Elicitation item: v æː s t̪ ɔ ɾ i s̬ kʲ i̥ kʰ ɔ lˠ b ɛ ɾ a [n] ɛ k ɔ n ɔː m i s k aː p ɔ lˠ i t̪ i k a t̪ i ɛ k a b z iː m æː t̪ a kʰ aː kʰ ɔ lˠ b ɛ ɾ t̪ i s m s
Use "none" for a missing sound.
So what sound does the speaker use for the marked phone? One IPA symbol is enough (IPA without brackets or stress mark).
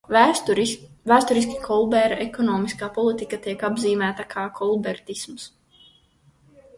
none